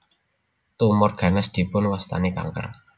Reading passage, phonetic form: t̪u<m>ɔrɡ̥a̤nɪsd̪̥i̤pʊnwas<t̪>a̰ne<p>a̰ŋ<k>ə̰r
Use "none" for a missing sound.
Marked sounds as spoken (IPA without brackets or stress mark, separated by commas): m, t̪, k, k